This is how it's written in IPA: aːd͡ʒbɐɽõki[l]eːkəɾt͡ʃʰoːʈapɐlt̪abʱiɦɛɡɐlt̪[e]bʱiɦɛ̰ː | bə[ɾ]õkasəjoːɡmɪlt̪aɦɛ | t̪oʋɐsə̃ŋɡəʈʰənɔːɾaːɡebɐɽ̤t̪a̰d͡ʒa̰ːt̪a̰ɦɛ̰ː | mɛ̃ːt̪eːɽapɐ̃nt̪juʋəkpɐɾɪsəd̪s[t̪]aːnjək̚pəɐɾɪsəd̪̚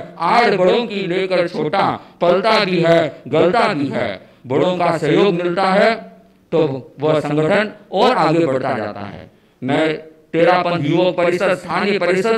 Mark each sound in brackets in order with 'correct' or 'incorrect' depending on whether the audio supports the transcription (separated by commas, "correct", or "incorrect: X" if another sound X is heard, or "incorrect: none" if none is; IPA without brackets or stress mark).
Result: correct, incorrect: a, incorrect: ɽ, incorrect: t̪ʰ